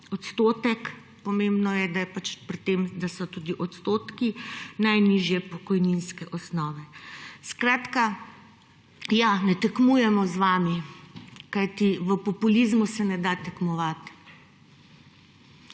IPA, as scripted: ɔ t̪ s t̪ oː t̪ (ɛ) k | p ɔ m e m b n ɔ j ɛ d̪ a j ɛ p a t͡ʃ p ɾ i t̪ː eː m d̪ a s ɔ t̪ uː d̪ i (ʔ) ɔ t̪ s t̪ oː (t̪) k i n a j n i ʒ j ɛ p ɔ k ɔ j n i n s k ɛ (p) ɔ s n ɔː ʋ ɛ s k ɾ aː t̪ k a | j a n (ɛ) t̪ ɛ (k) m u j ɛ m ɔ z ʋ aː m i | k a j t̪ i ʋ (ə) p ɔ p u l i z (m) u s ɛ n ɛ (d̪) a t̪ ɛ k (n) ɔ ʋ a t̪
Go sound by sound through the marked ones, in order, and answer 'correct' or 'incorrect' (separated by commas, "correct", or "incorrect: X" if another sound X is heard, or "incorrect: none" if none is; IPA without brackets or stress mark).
correct, correct, correct, incorrect: ʔ, correct, correct, correct, correct, correct, incorrect: m